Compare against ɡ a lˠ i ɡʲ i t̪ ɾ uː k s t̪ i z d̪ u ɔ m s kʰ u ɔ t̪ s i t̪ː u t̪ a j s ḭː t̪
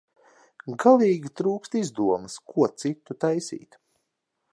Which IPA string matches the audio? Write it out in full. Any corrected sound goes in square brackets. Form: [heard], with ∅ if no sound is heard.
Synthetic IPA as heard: ɡ a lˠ [iː] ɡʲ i t̪ ɾ uː k s t̪ i z d̪ u ɔ m s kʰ u ɔ t̪ s i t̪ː u t̪ a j s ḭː t̪